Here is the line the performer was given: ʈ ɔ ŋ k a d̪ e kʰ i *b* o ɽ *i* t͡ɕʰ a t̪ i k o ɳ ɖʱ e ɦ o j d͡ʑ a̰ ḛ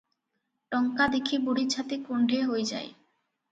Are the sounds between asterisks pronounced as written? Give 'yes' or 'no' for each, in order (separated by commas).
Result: yes, yes